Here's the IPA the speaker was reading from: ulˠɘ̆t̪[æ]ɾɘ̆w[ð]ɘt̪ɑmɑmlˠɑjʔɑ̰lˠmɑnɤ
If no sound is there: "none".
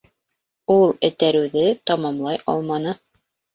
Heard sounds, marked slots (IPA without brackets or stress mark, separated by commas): æ, ð